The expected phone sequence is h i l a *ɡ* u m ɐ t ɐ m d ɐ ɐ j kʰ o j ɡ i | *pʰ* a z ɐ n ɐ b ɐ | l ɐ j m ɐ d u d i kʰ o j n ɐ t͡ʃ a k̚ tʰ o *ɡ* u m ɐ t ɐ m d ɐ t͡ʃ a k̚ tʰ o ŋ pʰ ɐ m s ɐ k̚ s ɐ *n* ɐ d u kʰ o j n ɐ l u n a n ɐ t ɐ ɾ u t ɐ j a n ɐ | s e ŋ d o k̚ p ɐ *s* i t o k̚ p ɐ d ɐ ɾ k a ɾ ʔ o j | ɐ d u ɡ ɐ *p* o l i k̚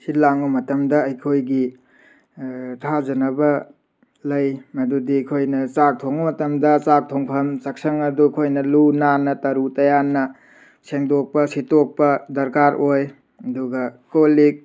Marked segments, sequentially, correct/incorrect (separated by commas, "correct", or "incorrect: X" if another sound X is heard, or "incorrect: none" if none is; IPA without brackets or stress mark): incorrect: ŋ, incorrect: tʰ, incorrect: ŋ, incorrect: ŋ, correct, incorrect: k